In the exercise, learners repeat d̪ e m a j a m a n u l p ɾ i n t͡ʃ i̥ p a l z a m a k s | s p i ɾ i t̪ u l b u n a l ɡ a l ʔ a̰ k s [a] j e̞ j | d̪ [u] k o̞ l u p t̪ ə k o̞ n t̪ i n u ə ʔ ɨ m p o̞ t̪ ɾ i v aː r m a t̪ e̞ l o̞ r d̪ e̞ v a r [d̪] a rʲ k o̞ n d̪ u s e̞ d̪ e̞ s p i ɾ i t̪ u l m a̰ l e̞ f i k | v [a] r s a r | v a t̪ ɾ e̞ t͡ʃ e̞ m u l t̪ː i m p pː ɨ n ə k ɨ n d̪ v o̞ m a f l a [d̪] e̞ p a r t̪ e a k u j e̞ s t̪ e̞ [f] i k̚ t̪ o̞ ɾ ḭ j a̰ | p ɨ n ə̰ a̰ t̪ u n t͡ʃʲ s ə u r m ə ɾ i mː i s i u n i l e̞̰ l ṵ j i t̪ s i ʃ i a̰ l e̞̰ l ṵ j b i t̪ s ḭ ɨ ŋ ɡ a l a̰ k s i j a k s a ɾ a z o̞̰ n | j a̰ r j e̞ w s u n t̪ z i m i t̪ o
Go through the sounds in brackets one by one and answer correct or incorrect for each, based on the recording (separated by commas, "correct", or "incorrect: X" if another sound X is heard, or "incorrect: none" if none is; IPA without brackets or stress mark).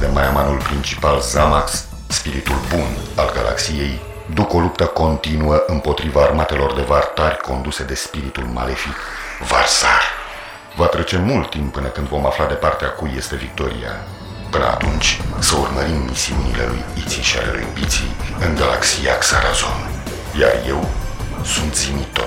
incorrect: i, correct, incorrect: t̪, correct, correct, incorrect: v